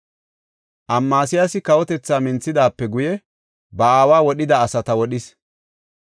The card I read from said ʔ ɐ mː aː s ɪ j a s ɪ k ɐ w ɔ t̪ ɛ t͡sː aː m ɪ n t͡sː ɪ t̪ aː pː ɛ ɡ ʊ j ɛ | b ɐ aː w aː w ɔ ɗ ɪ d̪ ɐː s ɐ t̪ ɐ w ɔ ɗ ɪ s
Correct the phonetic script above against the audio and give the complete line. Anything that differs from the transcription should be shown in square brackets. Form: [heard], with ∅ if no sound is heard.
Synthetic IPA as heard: ʔ ɐ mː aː s ɪ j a s ɪ k ɐ w ɔ t̪ ɛ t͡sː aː m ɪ n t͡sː ɪ [d̪] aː pː ɛ ɡ ʊ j ɛ | b ɐ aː w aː w ɔ ɗ ɪ d̪ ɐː s ɐ t̪ ɐ w ɔ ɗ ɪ s